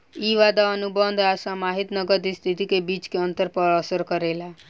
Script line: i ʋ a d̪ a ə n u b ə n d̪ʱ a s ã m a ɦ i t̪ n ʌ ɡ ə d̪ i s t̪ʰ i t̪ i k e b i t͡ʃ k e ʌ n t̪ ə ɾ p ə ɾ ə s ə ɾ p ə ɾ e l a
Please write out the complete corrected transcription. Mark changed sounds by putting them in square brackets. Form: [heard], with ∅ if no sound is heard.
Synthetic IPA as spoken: i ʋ a d̪ a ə n u b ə n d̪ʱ a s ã m a ɦ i t̪ n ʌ ɡ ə d̪ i s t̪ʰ i t̪ i k e b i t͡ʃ k e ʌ n t̪ ə ɾ p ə ɾ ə s ə ɾ [k] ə ɾ e l a